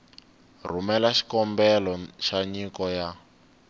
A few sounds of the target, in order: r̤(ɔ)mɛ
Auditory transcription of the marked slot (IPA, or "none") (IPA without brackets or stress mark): u